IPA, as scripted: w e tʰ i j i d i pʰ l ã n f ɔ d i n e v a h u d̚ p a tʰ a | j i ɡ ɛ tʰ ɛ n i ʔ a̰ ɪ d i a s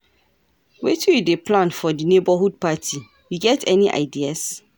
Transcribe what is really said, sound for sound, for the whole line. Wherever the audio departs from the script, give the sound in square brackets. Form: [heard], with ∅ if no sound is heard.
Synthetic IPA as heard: w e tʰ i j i d [e] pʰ l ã n f ɔ d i n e [b] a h u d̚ p a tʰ [i] | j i ɡ ɛ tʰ ɛ n i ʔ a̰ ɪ d i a s

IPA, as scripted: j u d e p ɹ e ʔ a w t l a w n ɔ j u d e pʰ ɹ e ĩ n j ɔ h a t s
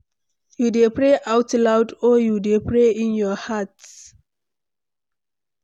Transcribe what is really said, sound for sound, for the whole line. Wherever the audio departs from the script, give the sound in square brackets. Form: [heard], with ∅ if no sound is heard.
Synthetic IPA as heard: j u d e p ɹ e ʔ a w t l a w [d] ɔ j u d e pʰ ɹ e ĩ n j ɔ h a t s

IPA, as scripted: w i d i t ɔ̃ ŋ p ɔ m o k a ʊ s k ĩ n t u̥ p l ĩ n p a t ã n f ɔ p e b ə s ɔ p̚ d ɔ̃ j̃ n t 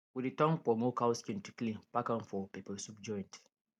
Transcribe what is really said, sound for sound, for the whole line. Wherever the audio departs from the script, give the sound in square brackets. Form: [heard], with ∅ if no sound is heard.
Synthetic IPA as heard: w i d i t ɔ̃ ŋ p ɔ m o k a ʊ s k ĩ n t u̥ [k] l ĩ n p a [k] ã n f ɔ p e [p] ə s [u] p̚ [d͡ʒ] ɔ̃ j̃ n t

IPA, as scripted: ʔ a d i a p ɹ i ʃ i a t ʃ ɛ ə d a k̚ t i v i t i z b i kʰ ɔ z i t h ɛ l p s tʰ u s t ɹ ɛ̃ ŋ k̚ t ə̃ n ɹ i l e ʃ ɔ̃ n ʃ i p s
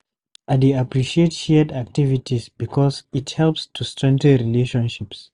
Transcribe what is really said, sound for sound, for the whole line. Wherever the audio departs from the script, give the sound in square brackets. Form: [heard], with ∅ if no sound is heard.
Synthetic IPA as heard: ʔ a d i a p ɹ i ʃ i [e] t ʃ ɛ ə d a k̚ t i v i t i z b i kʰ ɔ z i t h ɛ l p s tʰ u s t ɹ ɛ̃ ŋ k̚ t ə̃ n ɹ i l e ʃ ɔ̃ n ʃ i p s

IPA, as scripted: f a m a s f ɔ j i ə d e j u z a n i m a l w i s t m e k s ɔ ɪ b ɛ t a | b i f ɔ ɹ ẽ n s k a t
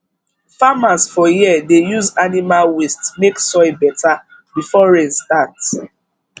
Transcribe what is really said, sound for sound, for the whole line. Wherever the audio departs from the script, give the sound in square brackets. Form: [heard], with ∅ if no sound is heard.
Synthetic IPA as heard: f a m a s f ɔ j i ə d e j u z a n i m a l w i s t m e k s ɔ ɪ b ɛ t a | b i f ɔ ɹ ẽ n s [t] a t

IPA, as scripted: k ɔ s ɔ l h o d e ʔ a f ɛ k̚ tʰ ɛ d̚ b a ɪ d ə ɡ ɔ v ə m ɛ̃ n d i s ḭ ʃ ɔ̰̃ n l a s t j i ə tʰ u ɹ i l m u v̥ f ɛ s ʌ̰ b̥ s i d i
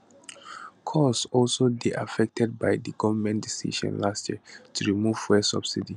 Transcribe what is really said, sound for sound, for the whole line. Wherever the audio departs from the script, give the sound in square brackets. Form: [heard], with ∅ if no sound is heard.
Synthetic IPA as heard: [kʰ] ɔ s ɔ l [s] o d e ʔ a f ɛ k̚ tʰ ɛ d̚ b a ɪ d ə ɡ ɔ v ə m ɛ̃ n d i s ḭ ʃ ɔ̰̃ n l a s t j i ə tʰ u ɹ i [∅] m u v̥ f ɛ s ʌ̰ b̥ s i d i

